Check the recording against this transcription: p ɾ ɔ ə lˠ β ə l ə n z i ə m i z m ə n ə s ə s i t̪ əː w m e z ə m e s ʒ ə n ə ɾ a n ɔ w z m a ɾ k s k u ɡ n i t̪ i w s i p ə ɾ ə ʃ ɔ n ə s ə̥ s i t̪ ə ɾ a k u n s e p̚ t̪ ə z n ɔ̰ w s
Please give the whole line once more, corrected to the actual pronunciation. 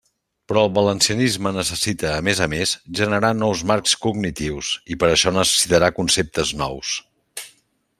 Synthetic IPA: p ɾ ɔ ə lˠ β ə l ə n s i ə n i z m ə n ə s ə s i t̪ əː m e z ə m e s ʒ ə n ə ɾ a n ɔ w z m a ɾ k s k u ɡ n i t̪ i w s i p ə ɾ ə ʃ ɔ n ə s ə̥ s i t̪ ə ɾ a k u n s e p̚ t̪ ə z n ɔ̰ w s